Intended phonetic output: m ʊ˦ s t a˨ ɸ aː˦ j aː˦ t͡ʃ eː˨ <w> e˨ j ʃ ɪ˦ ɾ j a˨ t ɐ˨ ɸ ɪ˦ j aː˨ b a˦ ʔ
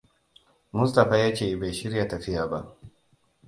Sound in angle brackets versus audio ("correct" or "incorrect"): incorrect